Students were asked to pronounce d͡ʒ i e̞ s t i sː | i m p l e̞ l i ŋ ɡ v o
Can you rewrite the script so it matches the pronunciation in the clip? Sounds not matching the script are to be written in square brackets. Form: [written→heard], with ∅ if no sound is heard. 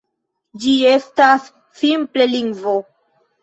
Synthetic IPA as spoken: d͡ʒ i e̞ s t [i→a] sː | i m p l e̞ l i ŋ ɡ v o